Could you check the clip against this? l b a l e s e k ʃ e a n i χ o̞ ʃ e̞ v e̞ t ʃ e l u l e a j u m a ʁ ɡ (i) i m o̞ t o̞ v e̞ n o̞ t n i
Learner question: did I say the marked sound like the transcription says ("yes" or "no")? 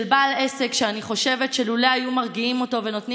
yes